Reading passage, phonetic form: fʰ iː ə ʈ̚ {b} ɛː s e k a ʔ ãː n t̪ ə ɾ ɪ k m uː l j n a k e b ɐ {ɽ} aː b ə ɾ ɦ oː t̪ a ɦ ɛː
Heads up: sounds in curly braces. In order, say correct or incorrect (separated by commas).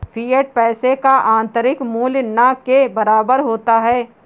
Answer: incorrect, incorrect